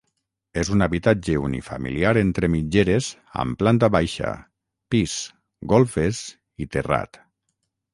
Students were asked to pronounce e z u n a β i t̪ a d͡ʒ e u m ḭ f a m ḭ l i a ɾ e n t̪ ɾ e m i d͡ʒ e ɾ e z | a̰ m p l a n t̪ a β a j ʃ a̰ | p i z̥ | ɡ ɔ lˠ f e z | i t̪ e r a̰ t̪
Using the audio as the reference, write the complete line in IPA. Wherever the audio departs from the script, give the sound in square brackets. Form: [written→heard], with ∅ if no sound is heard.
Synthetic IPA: e z u n a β i t̪ a d͡ʒ e u [m→n] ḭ f a m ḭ l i a ɾ e n t̪ ɾ e m i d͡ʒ e ɾ e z | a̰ m p l a n t̪ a β a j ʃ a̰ | p i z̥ | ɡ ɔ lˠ f e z | i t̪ e r a̰ t̪